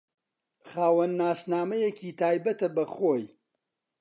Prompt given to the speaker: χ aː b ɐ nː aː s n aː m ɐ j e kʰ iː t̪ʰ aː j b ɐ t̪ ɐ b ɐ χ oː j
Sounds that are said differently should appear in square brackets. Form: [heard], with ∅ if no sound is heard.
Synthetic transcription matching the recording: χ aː [w] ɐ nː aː s n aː m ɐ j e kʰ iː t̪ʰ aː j b ɐ t̪ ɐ b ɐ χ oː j